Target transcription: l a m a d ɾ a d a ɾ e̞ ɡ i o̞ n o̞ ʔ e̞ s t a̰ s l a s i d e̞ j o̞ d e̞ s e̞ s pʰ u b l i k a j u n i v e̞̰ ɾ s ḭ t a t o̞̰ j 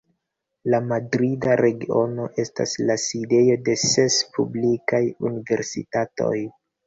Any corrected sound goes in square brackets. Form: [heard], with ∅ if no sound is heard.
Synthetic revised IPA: l a m a d ɾ [i] d a ɾ e̞ ɡ i o̞ n o̞ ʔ e̞ s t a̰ s l a s i d e̞ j o̞ d e̞ s e̞ s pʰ u b l i k a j u n i v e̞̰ ɾ s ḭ t a t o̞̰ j

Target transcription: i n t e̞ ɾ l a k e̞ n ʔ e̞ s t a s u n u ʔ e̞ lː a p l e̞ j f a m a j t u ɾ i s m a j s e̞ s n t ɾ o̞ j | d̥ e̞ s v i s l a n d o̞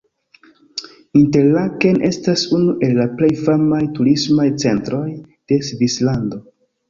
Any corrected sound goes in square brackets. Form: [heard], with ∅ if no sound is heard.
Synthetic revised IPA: i n t e̞ ɾ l a k e̞ n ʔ e̞ s t a s u n u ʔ e̞ lː a p l e̞ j f a m a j t u ɾ i s m a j [t͡s] e̞ [∅] n t ɾ o̞ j | d̥ e̞ s v i s l a n d o̞

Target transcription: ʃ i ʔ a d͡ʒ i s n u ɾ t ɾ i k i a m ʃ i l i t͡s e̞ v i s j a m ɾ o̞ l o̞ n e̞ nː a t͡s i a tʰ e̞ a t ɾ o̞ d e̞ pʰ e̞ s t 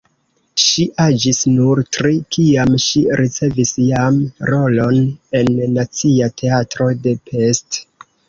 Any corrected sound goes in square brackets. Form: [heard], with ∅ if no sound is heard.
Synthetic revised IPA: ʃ i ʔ a d͡ʒ i s n u ɾ t ɾ i k i a m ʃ i [ɾ] i t͡s e̞ v i s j a m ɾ o̞ l o̞ n e̞ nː a t͡s i a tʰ e̞ a t ɾ o̞ d e̞ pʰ e̞ s t

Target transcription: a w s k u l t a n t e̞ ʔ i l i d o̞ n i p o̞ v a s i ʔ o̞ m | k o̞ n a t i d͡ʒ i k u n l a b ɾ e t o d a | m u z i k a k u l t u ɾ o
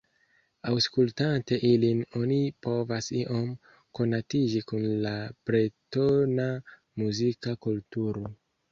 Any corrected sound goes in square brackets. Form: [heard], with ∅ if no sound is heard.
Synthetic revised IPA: a w s k u l t a n t e̞ ʔ i l i [n] o̞ n i p o̞ v a s i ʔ o̞ m | k o̞ n a t i d͡ʒ i k u n l a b ɾ e t o [n] a | m u z i k a k u l t u ɾ o

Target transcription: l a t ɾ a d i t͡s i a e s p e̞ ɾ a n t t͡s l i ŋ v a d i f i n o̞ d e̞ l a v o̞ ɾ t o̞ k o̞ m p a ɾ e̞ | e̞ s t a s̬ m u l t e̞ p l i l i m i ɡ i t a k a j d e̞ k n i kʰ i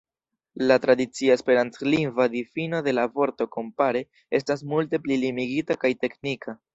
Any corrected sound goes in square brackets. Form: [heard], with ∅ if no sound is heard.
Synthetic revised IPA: l a t ɾ a d i t͡s i a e s p e̞ ɾ a n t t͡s l i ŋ v a d i f i n o̞ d e̞ l a v o̞ ɾ t o̞ k o̞ m p a ɾ e̞ | e̞ s t a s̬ m u l t e̞ p l i l i m i ɡ i t a k a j [t] e̞ k n i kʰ [a]

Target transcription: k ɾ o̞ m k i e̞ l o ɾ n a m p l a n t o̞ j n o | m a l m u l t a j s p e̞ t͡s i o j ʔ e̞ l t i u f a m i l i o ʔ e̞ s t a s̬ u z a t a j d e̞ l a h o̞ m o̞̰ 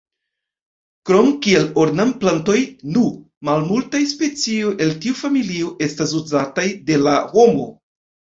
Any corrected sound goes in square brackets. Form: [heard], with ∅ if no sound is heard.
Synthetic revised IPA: k ɾ o̞ m k i e̞ l o ɾ n a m p l a n t o̞ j n [u] | m a l m u l t a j s p e̞ t͡s i o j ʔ e̞ l t i u f a m i l i o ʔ e̞ s t a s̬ u z a t a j d e̞ l a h o̞ m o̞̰

